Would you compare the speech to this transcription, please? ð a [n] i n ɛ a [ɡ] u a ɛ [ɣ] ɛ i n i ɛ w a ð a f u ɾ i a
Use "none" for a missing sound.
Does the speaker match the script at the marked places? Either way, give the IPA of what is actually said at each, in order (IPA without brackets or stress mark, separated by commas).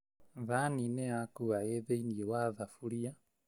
n, k, ð